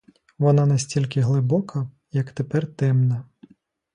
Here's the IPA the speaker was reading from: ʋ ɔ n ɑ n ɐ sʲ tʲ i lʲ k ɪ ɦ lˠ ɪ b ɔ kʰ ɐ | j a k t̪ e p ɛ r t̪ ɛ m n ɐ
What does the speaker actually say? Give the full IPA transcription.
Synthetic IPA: ʋ ɔ n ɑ n ɐ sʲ tʲ i lʲ k ɪ ɦ lˠ ɪ b ɔ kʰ ɐ | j ɐ k t̪ e p ɛ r t̪ ɛ m n ɐ